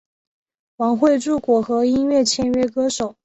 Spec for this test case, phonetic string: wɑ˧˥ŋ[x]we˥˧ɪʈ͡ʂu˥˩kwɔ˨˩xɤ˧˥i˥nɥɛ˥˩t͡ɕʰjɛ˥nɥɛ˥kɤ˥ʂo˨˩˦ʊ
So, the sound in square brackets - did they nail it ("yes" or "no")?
yes